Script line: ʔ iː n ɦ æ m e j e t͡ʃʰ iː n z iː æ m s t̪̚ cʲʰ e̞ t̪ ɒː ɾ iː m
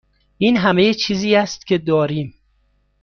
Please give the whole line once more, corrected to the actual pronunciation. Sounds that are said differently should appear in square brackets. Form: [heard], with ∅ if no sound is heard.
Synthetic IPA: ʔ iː n ɦ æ m e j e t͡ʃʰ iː [∅] z iː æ [∅] s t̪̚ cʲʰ e̞ [d̪] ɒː ɾ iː m